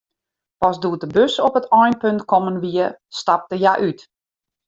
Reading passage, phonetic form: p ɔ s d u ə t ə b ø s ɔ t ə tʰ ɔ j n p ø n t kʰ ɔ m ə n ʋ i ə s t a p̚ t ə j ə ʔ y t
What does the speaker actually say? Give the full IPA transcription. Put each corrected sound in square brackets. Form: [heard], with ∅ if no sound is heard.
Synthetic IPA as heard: p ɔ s d u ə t ə b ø s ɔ [p] ə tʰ ɔ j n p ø n t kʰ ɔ m ə n ʋ i ə s t a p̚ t ə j [a] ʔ y t